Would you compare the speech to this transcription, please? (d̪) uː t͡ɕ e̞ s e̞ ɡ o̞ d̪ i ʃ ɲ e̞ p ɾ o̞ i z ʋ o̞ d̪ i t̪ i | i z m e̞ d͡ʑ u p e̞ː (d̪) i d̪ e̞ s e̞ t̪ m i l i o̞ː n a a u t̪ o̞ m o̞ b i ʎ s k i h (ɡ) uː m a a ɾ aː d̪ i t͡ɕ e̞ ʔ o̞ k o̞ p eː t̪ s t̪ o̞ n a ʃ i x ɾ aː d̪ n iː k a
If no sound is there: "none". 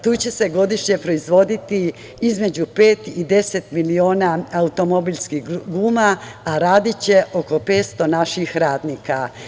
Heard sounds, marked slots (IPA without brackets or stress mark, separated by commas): t̪, t̪, ɡ